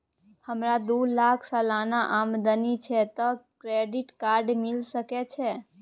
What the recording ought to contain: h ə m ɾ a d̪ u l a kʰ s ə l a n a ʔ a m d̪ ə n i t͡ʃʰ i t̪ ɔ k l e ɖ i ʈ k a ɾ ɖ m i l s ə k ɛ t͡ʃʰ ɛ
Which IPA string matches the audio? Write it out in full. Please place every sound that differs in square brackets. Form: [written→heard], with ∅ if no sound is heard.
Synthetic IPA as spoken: h ə m ɾ a d̪ u l a kʰ s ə l a n a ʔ a m d̪ ə n i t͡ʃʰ [i→ɛ] t̪ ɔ k [l→ɾ] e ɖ i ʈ k a ɾ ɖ m i l s ə k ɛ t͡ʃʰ ɛ